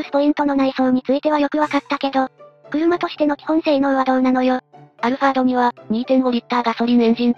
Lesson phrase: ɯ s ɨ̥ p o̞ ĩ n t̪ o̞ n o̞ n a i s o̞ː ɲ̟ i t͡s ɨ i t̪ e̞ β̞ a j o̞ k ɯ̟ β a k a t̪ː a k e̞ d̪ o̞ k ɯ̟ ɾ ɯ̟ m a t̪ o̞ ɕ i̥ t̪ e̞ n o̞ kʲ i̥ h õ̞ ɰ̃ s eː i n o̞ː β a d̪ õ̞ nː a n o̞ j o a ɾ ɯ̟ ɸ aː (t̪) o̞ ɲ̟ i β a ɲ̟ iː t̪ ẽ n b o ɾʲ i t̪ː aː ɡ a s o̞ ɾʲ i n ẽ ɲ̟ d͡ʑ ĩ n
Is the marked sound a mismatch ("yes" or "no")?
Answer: yes